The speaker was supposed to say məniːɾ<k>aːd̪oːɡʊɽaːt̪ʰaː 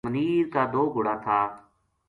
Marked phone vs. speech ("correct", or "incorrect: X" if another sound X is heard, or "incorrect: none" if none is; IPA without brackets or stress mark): correct